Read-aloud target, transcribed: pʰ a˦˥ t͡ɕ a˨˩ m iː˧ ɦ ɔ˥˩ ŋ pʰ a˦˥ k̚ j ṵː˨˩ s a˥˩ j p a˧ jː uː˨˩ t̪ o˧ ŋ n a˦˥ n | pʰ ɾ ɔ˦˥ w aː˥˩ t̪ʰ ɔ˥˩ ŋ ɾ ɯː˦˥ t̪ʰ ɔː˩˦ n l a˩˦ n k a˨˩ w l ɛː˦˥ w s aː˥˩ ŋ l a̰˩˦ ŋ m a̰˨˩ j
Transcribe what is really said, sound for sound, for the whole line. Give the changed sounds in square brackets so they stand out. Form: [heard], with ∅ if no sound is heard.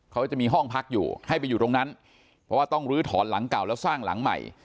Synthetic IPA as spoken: [kʰ] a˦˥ t͡ɕ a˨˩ m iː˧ ɦ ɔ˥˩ ŋ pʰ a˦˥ k̚ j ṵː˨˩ [h] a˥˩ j p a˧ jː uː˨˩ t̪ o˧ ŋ n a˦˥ n | pʰ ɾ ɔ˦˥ w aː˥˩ [t̪] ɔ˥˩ ŋ ɾ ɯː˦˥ t̪ʰ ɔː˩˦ n l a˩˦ [ŋ] k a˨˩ w l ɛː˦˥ w s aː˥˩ ŋ l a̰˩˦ ŋ m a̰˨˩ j